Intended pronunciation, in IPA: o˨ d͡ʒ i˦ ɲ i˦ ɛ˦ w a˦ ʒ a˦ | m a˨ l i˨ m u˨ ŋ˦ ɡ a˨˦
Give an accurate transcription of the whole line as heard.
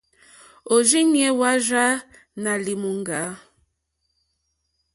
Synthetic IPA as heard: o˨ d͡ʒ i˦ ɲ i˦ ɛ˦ w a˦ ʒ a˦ | n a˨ l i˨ m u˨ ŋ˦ ɡ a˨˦